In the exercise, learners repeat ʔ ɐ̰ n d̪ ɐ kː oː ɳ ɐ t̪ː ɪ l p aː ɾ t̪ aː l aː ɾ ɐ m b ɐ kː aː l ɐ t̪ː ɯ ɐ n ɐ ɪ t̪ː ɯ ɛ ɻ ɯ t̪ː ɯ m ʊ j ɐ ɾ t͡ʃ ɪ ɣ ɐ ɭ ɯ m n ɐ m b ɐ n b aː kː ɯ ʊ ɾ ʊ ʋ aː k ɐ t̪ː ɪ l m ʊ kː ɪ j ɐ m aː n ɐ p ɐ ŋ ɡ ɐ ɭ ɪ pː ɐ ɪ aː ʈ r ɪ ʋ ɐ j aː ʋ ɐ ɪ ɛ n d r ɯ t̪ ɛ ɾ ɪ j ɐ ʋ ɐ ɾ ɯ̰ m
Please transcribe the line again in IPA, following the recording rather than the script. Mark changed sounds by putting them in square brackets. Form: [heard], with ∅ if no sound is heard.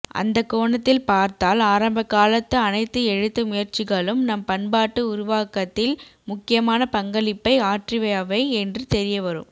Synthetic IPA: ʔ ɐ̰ n d̪ ɐ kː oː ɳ ɐ t̪ː ɪ l p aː ɾ t̪ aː l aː ɾ ɐ m b ɐ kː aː l ɐ t̪ː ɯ ɐ n ɐ ɪ t̪ː ɯ ɛ ɻ ɯ t̪ː ɯ m ʊ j ɐ ɾ t͡ʃ ɪ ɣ ɐ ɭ ɯ m n ɐ m [p] ɐ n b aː [ʈː] ɯ ʊ ɾ ʊ ʋ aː k ɐ t̪ː ɪ l m ʊ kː ɪ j ɐ m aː n ɐ p ɐ ŋ ɡ ɐ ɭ ɪ pː ɐ ɪ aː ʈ r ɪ ʋ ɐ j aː ʋ ɐ ɪ ɛ n d r ɯ t̪ ɛ ɾ ɪ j ɐ ʋ ɐ ɾ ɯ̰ m